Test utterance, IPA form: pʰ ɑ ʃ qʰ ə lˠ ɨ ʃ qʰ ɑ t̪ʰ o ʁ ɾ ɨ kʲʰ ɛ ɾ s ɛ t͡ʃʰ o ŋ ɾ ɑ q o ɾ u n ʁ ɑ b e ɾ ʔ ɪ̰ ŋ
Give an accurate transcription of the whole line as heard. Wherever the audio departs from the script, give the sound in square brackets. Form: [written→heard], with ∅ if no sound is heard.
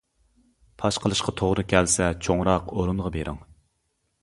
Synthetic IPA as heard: pʰ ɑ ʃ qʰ ə lˠ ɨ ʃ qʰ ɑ t̪ʰ o ʁ ɾ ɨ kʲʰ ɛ [ɾ→l] s ɛ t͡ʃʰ o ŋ ɾ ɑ q o ɾ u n ʁ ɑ b e ɾ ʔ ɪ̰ ŋ